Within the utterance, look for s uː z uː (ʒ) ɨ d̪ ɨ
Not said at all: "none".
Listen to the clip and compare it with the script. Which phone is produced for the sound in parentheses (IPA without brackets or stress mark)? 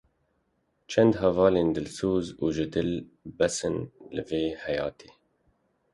ʒ